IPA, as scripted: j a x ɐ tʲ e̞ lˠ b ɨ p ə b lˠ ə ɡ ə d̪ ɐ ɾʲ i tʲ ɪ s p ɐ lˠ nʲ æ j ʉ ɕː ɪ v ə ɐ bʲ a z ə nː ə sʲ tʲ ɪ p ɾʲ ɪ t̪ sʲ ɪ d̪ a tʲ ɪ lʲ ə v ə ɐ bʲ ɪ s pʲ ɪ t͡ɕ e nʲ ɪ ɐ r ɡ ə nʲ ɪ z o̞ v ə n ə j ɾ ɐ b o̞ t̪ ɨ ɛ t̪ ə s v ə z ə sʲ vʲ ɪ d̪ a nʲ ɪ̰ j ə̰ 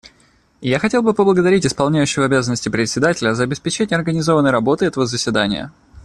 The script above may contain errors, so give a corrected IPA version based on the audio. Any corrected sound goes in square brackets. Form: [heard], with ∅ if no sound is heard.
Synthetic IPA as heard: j a x ɐ tʲ e̞ lˠ b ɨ p ə b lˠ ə ɡ ə d̪ ɐ ɾʲ i tʲ ɪ s p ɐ lˠ nʲ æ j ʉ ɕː ɪ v ə ɐ bʲ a z ə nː ə sʲ tʲ ɪ p ɾʲ ɪ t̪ sʲ ɪ d̪ a tʲ ɪ lʲ ə [z] ə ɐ bʲ ɪ s pʲ ɪ t͡ɕ e nʲ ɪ ɐ r ɡ ə nʲ ɪ z o̞ v ə n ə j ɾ ɐ b o̞ t̪ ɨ ɛ t̪ ə [∅] v ə z ə sʲ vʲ ɪ d̪ a nʲ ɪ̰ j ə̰